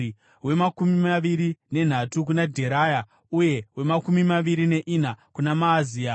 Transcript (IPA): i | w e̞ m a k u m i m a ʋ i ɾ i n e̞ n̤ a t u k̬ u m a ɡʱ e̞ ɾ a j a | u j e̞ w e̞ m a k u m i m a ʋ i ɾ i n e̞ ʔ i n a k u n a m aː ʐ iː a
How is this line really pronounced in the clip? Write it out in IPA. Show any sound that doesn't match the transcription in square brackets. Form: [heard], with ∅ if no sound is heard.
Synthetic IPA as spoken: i | w e̞ m a k u m i m a ʋ i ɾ i n e̞ n̤ a t u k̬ u [n] a [dʱ] e̞ ɾ a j a | u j e̞ w e̞ m a k u m i m a ʋ i ɾ i n e̞ ʔ i n a k u n a m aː [z] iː a